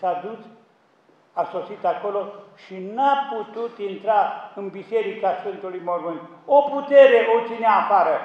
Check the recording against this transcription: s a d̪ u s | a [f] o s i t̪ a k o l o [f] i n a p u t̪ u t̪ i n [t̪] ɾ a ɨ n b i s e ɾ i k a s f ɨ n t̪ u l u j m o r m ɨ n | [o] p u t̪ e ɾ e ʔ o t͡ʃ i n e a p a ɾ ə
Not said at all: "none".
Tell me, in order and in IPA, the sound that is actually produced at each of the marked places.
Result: s, ʃ, t̪, o

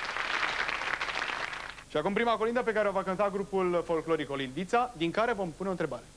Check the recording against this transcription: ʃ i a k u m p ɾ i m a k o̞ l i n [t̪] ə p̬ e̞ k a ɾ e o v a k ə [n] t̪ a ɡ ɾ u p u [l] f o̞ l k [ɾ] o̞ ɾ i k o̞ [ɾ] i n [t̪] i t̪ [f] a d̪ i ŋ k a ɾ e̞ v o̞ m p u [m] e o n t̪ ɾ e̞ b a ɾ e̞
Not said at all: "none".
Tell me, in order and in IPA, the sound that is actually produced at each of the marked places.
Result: d̪, n, l, l, l, d̪, s, n

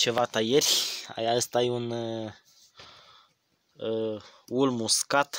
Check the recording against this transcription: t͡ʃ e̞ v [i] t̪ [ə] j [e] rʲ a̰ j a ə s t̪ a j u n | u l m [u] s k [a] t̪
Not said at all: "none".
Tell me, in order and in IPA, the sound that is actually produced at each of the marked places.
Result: a, a, e, u, a

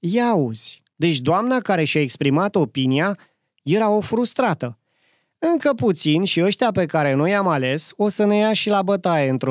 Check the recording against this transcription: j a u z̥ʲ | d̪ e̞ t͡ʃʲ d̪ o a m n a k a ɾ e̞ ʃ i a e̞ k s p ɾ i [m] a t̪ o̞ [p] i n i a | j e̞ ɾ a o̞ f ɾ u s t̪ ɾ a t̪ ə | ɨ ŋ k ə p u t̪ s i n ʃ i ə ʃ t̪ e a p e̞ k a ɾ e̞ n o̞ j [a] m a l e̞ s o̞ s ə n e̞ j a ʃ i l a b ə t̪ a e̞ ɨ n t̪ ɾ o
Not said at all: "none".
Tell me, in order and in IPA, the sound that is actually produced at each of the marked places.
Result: m, p, a

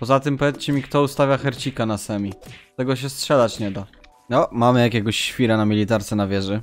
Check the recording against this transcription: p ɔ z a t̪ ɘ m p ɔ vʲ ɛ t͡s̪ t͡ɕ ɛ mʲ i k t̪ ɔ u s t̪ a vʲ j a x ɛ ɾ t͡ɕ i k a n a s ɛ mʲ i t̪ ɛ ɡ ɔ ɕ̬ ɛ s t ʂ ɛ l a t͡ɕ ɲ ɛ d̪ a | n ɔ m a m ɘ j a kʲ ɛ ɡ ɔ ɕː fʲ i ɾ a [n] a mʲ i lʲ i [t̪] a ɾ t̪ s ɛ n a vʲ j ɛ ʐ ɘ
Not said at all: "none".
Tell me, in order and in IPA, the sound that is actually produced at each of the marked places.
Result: n, t̪

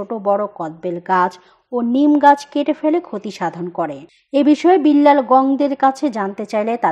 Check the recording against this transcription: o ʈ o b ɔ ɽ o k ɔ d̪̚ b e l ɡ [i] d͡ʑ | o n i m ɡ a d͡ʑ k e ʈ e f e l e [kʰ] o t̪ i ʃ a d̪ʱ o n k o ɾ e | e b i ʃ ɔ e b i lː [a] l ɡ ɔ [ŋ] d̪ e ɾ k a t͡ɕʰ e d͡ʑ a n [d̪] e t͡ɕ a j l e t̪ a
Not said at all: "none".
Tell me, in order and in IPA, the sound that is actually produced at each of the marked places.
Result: a, kʰ, a, ŋ, t̪

